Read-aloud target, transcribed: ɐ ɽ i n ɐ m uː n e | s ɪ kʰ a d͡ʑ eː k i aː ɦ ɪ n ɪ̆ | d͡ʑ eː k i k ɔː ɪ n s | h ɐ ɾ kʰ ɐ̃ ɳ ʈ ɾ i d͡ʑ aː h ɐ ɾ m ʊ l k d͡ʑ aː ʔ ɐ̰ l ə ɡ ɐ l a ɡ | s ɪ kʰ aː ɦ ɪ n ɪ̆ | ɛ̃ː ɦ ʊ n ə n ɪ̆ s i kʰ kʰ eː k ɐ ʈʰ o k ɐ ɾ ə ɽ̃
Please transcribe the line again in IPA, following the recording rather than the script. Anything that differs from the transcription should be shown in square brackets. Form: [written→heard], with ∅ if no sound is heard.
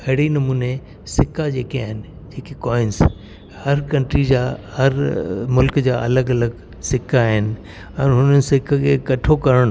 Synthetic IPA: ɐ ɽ i n ɐ m uː n e | s ɪ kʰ a d͡ʑ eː k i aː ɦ ɪ n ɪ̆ | d͡ʑ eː k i k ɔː ɪ n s | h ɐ ɾ [kʰ→k] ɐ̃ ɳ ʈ ɾ i d͡ʑ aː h ɐ ɾ m ʊ l k d͡ʑ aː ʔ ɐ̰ l ə ɡ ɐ l [a→ə] ɡ | s ɪ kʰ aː ɦ ɪ n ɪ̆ | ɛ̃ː ɦ ʊ n ə n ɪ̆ s [i→ɪ] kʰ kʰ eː k ɐ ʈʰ o k ɐ ɾ ə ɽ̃